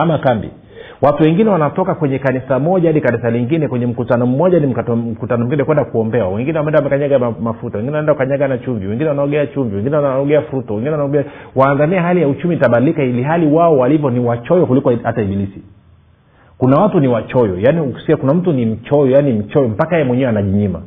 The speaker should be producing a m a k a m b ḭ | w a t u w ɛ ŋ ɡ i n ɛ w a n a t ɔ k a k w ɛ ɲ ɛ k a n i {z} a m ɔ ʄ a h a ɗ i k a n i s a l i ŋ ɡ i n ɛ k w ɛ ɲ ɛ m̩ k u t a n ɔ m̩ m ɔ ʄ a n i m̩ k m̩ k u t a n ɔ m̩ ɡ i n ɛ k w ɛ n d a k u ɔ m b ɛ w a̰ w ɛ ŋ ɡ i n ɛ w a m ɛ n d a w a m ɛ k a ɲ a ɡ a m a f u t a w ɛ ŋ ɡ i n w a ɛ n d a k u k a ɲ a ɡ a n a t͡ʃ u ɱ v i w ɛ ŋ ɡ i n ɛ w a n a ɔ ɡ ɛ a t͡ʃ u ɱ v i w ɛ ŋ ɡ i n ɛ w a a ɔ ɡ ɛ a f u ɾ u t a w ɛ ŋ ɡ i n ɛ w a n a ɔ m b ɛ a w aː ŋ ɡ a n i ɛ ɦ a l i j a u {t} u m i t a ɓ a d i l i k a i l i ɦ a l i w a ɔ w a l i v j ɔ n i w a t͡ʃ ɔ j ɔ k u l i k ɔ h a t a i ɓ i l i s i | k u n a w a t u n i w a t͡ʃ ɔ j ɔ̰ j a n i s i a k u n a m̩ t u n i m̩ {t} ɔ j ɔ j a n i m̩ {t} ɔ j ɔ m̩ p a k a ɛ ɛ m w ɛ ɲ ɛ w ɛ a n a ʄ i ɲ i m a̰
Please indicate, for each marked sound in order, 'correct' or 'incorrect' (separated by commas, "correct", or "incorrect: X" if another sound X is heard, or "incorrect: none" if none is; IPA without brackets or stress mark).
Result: incorrect: s, incorrect: t͡ʃ, incorrect: t͡ʃ, incorrect: t͡ʃ